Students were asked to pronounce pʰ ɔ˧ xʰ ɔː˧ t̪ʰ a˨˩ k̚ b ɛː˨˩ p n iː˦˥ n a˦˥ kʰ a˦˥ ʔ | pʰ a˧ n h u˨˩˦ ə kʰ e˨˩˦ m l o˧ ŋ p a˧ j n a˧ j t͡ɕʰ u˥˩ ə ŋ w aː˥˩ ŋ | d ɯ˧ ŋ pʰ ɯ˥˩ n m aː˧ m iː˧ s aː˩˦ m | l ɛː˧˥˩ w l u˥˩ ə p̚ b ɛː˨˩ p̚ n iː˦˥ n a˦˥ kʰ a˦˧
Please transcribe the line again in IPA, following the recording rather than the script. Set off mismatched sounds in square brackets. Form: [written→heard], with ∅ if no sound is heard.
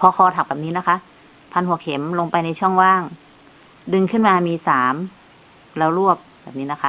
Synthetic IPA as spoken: pʰ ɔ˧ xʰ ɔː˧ t̪ʰ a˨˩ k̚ b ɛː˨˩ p n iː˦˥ n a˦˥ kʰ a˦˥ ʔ | pʰ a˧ n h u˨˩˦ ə kʰ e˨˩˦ m l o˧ ŋ p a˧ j n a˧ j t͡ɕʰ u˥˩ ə ŋ w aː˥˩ ŋ | d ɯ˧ ŋ [pʰ→kʰ] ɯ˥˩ n m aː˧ m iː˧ s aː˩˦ m | l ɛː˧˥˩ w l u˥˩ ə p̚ b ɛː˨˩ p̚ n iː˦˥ n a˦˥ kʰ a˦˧

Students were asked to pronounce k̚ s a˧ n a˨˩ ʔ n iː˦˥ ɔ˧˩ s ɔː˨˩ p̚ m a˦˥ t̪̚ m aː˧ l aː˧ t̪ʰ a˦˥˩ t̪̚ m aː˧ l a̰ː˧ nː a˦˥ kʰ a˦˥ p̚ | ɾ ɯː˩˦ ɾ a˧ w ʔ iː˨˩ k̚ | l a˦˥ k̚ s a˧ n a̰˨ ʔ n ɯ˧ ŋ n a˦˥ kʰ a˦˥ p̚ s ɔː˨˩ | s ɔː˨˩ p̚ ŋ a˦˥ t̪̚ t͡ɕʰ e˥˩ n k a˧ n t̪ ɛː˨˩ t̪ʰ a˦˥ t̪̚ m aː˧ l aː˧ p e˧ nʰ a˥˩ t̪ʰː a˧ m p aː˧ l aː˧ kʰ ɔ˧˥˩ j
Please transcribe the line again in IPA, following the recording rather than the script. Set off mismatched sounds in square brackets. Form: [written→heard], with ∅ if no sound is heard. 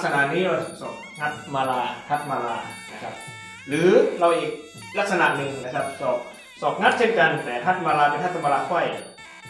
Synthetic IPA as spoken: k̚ s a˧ n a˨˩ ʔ n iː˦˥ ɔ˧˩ s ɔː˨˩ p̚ [m→ŋ] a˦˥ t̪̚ m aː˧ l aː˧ t̪ʰ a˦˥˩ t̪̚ m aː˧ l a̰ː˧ [nː→n] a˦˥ kʰ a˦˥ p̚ | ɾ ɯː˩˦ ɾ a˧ w ʔ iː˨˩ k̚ | l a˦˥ k̚ s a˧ n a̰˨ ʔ n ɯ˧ ŋ n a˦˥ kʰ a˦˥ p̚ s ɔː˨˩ | s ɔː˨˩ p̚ ŋ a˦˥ t̪̚ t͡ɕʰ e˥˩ n k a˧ n t̪ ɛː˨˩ t̪ʰ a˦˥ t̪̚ m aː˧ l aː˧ p e˧ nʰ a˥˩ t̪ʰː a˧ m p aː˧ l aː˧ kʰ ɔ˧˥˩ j

